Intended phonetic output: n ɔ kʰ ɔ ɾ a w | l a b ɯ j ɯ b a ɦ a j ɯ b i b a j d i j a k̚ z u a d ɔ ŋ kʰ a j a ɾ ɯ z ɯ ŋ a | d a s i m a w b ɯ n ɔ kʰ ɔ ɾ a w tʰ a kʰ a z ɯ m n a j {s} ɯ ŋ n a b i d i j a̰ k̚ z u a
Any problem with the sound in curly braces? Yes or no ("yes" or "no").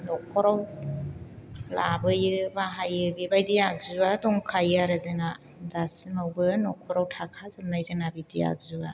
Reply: yes